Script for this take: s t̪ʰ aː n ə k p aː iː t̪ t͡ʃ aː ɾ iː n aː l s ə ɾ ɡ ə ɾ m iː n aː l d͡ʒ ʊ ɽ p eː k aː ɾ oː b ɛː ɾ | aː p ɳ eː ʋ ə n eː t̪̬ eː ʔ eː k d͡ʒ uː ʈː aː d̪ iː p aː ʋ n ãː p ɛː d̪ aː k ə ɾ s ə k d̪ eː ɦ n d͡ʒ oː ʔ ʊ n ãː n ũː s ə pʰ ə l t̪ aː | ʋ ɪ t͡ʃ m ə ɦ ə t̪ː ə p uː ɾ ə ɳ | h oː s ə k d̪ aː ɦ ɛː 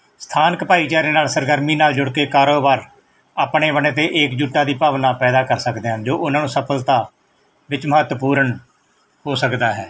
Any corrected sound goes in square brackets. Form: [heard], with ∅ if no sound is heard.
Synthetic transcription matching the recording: s t̪ʰ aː n ə k p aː iː [∅] t͡ʃ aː ɾ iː n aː l s ə ɾ ɡ ə ɾ m iː n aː l d͡ʒ ʊ ɽ [k] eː k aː ɾ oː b [aː] ɾ | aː p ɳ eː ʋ ə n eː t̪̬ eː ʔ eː k d͡ʒ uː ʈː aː d̪ iː p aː ʋ n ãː p ɛː d̪ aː k ə ɾ s ə k d̪ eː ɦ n d͡ʒ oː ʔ ʊ n ãː n ũː s ə pʰ ə l t̪ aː | ʋ ɪ t͡ʃ m ə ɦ ə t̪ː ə p uː ɾ ə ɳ | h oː s ə k d̪ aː ɦ ɛː